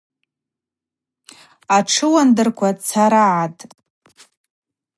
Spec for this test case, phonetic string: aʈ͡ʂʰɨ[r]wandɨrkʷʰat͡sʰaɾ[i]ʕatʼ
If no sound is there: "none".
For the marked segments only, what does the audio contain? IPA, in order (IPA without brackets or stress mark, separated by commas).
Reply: none, a